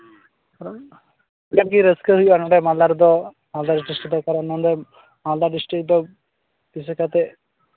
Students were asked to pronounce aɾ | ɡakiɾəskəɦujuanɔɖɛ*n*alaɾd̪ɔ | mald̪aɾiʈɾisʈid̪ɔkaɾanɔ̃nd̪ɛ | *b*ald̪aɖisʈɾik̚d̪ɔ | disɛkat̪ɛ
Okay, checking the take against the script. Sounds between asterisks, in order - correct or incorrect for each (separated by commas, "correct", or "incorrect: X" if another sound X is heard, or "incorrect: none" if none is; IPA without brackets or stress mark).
incorrect: m, incorrect: m